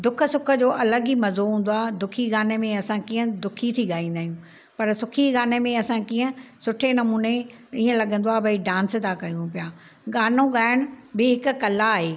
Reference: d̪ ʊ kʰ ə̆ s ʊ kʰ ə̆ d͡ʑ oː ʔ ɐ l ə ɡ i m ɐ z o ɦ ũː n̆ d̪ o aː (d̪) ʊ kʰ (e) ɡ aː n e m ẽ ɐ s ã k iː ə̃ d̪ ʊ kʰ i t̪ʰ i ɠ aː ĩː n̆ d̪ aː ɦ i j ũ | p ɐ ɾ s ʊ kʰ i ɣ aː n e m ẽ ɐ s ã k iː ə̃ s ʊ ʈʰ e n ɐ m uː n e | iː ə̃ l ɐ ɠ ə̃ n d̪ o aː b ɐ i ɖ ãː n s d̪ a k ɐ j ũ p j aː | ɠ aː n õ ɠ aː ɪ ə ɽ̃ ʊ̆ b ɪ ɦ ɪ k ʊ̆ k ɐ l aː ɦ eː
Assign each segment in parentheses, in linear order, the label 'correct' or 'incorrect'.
correct, incorrect

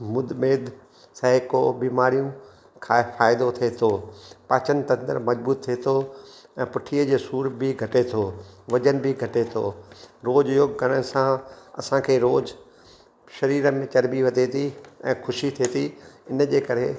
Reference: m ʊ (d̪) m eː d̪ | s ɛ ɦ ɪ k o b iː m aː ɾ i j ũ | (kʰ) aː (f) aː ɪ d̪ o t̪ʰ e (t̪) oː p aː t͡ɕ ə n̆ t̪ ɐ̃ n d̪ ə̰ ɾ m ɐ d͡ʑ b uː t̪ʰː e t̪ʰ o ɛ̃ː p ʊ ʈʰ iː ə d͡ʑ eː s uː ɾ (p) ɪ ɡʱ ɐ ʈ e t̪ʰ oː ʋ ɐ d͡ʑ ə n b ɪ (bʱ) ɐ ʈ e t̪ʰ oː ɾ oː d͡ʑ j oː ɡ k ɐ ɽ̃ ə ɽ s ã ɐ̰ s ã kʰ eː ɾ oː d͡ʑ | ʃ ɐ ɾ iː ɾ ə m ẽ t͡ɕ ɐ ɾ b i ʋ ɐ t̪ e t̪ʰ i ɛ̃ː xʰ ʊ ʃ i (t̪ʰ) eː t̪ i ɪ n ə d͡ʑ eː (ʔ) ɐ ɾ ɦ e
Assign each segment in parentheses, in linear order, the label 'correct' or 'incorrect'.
correct, correct, correct, incorrect, incorrect, incorrect, correct, incorrect

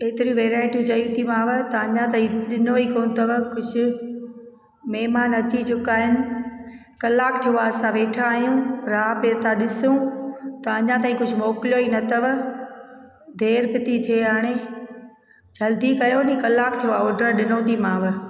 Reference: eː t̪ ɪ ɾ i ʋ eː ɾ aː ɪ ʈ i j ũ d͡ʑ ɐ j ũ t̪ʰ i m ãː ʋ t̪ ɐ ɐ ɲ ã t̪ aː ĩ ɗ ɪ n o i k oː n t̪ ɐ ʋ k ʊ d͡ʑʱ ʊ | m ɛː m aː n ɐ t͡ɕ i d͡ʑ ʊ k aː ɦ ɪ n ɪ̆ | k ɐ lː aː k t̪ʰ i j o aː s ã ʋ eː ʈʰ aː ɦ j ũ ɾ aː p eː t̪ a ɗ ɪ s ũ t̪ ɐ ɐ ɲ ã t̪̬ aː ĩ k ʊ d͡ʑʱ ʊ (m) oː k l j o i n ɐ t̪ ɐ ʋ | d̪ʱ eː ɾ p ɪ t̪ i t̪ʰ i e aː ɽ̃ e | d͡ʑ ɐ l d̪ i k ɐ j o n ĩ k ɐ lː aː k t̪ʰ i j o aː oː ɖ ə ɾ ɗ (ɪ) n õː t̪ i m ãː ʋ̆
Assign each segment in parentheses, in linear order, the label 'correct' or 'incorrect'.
correct, correct

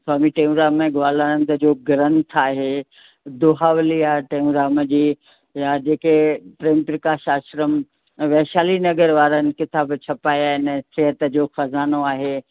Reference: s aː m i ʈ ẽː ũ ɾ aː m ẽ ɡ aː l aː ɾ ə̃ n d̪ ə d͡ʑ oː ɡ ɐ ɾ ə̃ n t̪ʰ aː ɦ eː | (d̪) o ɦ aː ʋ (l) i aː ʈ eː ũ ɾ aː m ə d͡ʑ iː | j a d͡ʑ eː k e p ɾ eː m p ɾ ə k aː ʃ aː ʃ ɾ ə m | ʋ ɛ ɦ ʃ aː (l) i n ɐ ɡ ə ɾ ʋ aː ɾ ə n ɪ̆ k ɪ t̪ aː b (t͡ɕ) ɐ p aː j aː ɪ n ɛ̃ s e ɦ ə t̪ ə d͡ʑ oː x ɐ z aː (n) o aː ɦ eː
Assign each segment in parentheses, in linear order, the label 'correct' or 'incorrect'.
correct, correct, correct, incorrect, correct

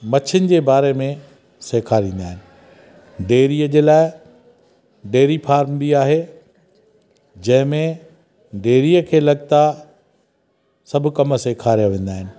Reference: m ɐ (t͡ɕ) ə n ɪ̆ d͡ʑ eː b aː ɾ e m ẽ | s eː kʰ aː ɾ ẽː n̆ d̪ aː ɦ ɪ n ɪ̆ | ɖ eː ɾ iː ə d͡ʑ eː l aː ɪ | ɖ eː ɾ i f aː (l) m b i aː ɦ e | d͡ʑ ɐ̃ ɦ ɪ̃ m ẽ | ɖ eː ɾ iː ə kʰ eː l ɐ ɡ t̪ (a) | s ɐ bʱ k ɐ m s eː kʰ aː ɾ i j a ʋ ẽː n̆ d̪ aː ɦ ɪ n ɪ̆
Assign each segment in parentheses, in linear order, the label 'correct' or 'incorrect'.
incorrect, incorrect, correct

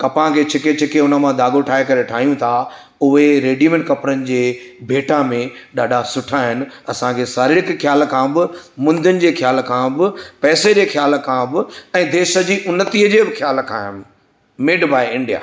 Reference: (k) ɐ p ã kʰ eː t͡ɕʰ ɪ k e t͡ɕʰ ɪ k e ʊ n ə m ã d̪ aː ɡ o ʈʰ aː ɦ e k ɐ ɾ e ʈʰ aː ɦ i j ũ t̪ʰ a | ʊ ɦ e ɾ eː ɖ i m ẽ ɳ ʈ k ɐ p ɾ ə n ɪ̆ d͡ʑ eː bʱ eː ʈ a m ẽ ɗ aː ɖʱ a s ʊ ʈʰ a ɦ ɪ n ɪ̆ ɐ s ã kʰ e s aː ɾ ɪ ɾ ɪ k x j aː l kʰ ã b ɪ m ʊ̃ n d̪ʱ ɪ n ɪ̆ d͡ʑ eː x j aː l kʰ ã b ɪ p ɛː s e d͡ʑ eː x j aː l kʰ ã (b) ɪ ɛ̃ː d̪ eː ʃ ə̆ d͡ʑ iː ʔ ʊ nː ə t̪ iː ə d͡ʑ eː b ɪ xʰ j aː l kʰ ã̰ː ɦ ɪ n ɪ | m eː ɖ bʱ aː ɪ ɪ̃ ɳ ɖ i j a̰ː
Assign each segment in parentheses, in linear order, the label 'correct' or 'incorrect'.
correct, correct

